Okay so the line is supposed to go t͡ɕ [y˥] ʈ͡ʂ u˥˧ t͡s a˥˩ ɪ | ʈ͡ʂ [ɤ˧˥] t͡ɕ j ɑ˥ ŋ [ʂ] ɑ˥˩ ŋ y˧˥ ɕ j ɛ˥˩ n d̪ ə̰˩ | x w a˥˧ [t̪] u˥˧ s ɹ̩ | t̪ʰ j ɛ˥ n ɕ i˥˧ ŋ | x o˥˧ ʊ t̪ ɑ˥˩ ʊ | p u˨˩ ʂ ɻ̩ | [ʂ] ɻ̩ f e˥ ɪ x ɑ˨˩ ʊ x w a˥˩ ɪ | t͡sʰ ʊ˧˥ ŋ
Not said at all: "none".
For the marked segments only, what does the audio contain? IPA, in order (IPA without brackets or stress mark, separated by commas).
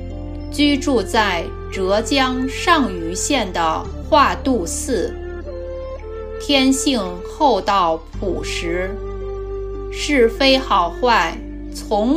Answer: y˥, ɤ˧˥, ʂ, t̪, ʂ